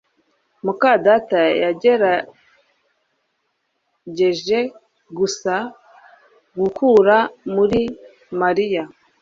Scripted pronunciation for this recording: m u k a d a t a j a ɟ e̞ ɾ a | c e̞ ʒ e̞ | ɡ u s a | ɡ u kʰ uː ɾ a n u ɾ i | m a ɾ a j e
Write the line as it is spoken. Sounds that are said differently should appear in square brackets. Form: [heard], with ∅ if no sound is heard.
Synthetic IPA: m u k a d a t a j a ɟ e̞ ɾ a | [ɟ] e̞ ʒ e̞ | ɡ u s a | ɡ u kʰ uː ɾ a [m] u ɾ i | m a ɾ [i] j [a]